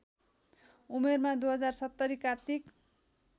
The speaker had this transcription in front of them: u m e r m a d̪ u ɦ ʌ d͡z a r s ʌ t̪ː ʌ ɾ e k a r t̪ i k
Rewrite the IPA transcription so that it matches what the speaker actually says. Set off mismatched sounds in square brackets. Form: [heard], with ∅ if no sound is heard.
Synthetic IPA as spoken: u m e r m a d̪ u ɦ ʌ d͡z a r s ʌ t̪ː ʌ ɾ [i] k a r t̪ i k